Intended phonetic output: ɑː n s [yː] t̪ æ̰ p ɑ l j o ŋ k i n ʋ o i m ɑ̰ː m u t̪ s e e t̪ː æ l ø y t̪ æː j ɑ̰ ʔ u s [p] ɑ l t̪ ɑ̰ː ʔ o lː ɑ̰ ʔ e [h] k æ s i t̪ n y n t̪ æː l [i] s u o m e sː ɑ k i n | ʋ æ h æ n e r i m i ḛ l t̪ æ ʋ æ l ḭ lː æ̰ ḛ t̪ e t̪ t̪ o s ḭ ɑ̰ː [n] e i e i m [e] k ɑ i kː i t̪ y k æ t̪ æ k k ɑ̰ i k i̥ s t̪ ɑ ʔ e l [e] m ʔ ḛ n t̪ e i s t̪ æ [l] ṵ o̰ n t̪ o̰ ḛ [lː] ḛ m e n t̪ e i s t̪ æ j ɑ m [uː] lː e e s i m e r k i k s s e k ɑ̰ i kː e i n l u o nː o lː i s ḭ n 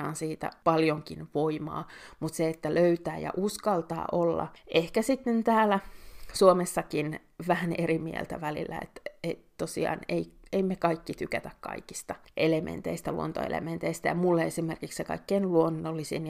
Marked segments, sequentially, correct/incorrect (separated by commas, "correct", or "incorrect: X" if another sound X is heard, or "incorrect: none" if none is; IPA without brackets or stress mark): incorrect: iː, incorrect: k, correct, incorrect: æ, correct, correct, correct, correct, incorrect: l, incorrect: u